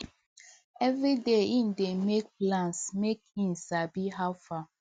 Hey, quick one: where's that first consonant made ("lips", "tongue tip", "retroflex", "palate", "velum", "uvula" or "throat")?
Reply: lips